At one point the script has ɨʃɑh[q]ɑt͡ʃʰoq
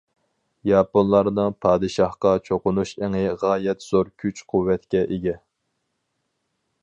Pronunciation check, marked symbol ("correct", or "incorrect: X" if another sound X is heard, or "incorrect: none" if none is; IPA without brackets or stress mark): correct